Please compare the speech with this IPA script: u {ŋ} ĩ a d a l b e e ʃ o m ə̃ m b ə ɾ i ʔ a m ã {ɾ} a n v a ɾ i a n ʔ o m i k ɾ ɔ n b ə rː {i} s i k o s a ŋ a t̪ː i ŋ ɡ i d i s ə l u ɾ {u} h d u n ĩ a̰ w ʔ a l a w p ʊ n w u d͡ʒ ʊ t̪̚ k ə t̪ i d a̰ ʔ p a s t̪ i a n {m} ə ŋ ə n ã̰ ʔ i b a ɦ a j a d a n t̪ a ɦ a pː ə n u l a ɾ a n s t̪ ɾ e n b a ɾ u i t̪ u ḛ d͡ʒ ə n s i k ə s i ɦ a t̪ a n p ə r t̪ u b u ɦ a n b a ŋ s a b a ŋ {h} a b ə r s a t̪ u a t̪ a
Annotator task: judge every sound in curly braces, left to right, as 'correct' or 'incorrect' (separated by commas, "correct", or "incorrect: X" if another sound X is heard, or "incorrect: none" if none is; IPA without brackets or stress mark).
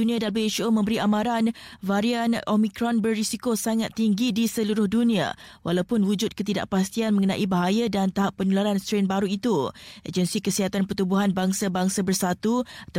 incorrect: n, correct, correct, incorrect: ʊ, correct, incorrect: s